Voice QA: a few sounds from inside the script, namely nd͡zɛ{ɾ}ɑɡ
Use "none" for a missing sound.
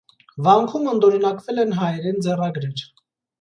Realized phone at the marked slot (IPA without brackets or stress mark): r